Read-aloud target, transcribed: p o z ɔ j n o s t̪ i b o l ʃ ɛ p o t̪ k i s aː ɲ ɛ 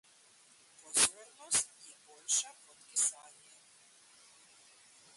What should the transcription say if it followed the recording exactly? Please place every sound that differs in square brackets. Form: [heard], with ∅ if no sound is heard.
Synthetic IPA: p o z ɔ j n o s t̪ i b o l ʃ [a] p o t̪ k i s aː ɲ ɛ